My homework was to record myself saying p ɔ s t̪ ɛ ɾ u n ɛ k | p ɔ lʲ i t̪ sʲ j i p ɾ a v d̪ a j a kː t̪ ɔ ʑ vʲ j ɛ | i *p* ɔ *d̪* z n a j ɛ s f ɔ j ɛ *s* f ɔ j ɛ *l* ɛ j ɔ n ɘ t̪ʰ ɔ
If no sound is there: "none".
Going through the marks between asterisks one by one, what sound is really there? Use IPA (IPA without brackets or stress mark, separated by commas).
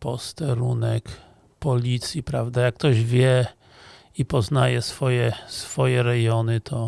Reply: p, none, s, ɾ